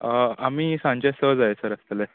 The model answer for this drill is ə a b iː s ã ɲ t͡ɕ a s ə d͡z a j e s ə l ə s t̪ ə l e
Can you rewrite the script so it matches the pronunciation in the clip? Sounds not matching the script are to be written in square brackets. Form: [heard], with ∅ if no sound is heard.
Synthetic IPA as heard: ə a [m] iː s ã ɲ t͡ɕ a s ə d͡z a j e s ə [ɾ] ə s t̪ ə l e